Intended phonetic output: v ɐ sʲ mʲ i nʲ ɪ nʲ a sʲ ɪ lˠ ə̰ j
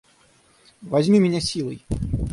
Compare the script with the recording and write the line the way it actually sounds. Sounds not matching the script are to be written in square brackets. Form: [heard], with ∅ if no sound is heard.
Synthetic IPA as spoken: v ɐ [zʲ] mʲ i [mʲ] ɪ nʲ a sʲ [i] lˠ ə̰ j